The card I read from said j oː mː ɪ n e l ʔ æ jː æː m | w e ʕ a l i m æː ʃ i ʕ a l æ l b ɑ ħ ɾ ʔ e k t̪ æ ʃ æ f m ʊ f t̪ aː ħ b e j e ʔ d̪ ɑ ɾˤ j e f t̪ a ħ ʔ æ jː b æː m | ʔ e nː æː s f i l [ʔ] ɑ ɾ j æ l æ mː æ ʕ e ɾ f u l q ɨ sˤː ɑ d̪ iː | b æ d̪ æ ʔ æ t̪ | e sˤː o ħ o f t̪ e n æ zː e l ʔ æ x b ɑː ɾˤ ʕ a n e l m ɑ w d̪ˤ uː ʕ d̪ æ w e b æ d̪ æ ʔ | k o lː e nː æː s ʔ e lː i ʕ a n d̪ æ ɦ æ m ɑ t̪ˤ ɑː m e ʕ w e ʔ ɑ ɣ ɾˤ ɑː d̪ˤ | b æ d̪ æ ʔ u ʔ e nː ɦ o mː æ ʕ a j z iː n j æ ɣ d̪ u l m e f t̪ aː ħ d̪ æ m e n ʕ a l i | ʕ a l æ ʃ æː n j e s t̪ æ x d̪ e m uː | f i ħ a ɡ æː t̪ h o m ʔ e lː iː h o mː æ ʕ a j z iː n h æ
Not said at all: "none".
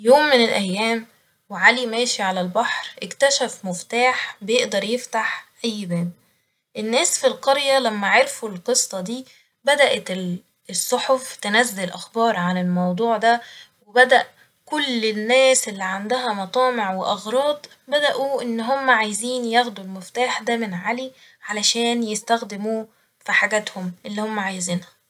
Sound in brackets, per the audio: q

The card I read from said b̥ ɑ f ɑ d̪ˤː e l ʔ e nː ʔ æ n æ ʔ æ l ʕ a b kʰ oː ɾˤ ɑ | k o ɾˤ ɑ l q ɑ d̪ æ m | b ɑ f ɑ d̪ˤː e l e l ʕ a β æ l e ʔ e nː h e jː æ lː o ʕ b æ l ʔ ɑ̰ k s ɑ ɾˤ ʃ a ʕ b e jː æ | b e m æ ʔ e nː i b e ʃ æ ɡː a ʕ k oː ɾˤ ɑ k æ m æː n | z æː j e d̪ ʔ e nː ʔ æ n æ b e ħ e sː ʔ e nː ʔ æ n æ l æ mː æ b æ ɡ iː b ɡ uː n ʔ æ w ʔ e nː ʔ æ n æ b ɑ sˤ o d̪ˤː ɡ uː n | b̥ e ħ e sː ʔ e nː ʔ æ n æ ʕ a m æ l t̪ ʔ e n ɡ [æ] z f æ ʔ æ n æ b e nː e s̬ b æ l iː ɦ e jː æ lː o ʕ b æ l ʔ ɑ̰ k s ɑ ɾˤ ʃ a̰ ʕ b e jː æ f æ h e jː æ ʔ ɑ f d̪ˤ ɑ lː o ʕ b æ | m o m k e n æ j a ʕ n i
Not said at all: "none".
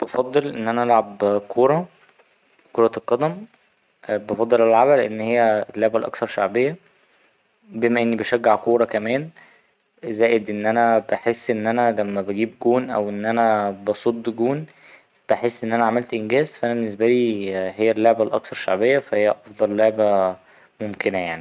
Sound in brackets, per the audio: æː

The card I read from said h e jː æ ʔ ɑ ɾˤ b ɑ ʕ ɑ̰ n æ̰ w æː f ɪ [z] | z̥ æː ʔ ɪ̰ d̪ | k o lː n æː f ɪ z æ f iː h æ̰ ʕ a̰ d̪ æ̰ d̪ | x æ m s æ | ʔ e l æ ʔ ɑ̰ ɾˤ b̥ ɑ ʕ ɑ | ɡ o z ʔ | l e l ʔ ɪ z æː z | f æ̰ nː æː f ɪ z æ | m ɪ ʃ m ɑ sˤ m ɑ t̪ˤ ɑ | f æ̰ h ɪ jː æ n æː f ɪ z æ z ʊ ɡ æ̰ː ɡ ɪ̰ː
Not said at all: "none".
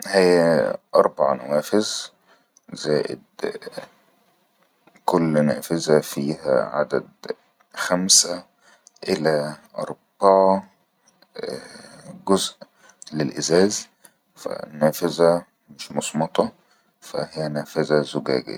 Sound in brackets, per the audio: z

